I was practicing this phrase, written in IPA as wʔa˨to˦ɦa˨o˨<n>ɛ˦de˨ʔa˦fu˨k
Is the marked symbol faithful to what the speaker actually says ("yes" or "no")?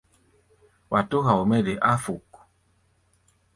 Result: no